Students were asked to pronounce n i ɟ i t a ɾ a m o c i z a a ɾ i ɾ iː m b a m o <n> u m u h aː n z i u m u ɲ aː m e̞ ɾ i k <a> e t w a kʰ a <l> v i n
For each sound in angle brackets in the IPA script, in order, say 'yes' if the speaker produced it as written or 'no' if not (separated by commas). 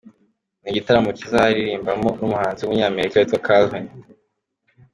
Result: yes, yes, yes